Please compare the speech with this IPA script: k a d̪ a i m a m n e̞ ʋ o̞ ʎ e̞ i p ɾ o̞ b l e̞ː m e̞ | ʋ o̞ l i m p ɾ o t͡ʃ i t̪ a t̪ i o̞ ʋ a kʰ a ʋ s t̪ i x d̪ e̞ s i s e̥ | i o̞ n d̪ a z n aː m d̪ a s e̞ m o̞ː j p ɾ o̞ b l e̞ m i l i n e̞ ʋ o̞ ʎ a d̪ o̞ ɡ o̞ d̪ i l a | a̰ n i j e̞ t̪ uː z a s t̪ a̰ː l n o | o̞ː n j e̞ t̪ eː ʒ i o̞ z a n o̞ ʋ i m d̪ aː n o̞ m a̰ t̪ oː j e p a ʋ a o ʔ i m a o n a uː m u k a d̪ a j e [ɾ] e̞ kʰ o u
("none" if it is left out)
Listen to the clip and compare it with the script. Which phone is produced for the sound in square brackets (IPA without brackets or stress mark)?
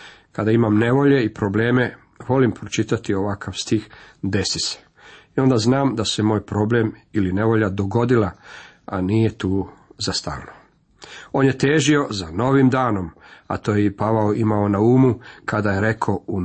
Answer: ɾ